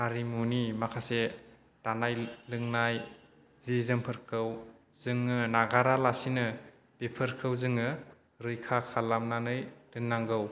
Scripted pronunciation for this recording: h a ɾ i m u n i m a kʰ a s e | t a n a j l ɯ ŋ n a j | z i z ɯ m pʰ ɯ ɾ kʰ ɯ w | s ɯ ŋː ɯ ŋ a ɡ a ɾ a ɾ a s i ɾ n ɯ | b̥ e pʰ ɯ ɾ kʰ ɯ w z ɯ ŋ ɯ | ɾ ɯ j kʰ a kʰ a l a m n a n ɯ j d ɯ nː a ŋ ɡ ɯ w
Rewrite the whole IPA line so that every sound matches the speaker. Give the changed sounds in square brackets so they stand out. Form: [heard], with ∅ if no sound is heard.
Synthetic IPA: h a ɾ i m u n i m a kʰ a s e | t a n a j l ɯ ŋ n a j | z i z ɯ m pʰ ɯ ɾ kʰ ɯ w | [z] ɯ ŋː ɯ [n] a ɡ a ɾ a [l] a s i [∅] n ɯ | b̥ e pʰ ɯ ɾ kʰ ɯ w z ɯ ŋ ɯ | ɾ ɯ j kʰ a kʰ a l a m n a n ɯ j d ɯ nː a ŋ ɡ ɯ w